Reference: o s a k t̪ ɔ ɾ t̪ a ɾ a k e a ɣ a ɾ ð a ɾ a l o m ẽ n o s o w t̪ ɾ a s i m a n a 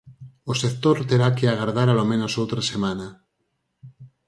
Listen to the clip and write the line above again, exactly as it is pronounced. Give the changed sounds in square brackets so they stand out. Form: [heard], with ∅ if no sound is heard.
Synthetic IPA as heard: o s [e] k t̪ [o] ɾ t̪ [e] ɾ a k e a ɣ a ɾ ð a ɾ a l o m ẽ n o s o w t̪ ɾ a s [e] m a n a